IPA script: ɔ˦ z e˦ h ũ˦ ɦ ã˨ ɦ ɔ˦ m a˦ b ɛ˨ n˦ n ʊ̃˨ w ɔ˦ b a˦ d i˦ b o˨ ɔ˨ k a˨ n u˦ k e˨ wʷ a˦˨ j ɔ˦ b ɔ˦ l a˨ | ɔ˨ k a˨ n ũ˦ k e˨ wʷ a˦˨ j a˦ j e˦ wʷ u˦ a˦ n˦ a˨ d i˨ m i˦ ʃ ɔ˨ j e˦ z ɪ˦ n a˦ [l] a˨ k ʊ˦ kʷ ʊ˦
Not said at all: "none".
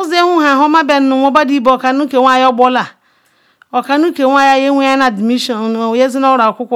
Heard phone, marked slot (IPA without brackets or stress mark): ɾ